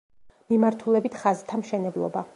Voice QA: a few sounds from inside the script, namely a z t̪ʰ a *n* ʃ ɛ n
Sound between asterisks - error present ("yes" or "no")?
yes